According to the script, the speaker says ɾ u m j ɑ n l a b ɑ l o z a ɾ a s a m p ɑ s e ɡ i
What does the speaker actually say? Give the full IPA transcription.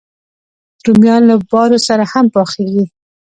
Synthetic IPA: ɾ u m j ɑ n l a b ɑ ɾ o s a ɾ a h a m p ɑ x e ɡ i